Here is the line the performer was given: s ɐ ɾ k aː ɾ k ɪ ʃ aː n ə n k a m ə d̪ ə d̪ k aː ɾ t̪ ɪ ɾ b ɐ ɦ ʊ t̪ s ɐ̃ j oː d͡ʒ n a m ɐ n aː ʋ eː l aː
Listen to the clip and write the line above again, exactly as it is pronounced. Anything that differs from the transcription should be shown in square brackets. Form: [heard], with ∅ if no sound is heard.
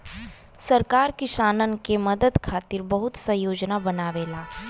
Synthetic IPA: s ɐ ɾ k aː ɾ k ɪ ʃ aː n ə n k [e] m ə d̪ ə d̪ [kʰ] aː [∅] t̪ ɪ ɾ b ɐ ɦ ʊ t̪ s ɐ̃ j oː d͡ʒ n a [b] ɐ n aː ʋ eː l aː